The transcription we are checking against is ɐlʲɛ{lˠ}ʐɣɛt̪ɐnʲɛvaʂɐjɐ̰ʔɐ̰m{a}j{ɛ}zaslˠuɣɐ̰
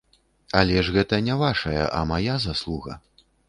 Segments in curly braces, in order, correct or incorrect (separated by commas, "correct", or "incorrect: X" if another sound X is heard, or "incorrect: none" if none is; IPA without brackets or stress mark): incorrect: none, correct, incorrect: a